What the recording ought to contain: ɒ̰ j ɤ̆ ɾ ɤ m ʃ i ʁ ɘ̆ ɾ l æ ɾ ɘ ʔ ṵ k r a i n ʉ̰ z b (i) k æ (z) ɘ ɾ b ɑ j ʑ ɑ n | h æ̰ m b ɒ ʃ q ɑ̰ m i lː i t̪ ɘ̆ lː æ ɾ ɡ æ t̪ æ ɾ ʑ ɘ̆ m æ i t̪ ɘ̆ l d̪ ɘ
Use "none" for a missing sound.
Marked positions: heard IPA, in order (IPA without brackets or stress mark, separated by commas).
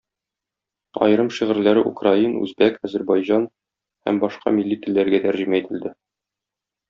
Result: æ, z